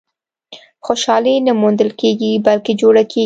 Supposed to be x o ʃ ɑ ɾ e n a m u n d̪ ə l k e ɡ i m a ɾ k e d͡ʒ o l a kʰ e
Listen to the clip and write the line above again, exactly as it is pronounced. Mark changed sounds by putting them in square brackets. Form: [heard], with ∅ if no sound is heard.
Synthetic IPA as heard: x o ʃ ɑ [l] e n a m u n d̪ ə l k e ɡ i [b] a [l] k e d͡ʒ o [ɽ] a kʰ e